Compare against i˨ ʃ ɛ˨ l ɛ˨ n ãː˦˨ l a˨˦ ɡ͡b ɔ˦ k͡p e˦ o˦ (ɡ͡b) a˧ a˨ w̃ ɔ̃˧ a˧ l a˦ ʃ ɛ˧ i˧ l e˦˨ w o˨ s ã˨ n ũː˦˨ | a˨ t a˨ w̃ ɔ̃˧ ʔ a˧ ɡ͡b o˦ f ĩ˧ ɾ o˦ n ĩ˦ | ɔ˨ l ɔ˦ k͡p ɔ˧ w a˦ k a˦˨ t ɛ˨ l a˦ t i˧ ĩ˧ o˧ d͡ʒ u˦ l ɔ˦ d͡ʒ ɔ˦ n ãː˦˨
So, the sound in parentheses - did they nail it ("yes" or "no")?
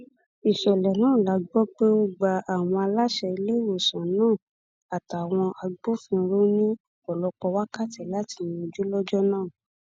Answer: yes